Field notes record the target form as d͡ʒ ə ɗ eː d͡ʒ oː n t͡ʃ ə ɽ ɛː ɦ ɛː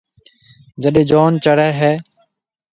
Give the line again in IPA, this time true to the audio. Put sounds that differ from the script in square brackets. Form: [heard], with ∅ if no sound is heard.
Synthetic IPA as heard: d͡ʒ ə ɗ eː d͡ʒ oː n t͡ʃ ə ɽ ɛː ɦ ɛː